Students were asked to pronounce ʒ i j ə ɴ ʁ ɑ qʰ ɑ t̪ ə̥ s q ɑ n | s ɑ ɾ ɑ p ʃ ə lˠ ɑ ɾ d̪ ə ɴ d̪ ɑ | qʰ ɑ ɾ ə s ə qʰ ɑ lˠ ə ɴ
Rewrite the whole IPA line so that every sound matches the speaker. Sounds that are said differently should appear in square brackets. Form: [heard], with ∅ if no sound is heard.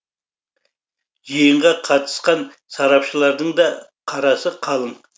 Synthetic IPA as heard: ʒ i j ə ɴ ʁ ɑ qʰ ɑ t̪ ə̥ s q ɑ n | s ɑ ɾ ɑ p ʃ ə lˠ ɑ ɾ d̪ ə ɴ d̪ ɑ | qʰ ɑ ɾ [ɑ] s ə qʰ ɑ lˠ ə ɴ